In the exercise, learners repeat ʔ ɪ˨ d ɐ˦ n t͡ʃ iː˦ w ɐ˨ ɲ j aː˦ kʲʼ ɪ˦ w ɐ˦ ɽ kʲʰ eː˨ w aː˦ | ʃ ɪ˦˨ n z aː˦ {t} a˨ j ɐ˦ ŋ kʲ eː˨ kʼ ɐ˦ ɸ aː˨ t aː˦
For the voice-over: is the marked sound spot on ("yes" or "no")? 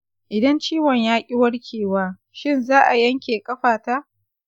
no